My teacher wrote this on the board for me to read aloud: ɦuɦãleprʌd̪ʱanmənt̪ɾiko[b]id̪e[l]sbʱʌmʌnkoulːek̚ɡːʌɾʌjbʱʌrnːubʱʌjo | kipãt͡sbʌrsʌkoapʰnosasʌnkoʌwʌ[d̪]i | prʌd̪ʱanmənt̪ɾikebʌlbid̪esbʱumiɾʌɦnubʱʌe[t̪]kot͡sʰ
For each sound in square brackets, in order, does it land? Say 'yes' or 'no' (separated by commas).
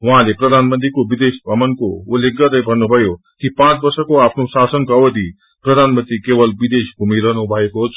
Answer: yes, no, yes, no